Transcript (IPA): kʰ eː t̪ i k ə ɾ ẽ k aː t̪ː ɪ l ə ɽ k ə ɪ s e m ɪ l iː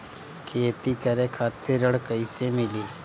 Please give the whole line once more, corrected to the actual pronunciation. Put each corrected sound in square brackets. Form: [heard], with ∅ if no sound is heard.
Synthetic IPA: kʰ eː t̪ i k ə ɾ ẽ [kʰ] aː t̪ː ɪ [ɾ] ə ɽ k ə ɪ s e m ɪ l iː